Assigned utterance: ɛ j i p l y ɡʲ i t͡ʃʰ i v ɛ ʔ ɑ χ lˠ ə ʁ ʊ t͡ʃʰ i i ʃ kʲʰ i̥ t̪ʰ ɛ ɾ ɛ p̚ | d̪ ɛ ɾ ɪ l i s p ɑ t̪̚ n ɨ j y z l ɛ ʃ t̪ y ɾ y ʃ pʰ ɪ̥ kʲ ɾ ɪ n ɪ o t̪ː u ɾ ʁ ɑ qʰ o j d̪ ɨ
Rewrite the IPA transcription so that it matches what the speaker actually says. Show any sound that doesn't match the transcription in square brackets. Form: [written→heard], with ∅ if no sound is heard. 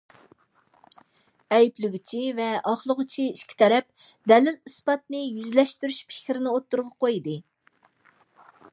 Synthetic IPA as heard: ɛ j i p l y ɡʲ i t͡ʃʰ i v ɛ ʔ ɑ χ lˠ ə ʁ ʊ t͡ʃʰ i i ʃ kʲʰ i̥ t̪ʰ ɛ ɾ ɛ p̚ | d̪ ɛ [ɾ→l] ɪ l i s p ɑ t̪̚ n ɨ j y z l ɛ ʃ t̪ y ɾ y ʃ pʰ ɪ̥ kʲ ɾ ɪ n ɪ o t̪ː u ɾ ʁ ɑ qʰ o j d̪ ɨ